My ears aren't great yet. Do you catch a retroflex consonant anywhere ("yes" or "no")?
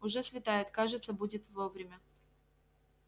yes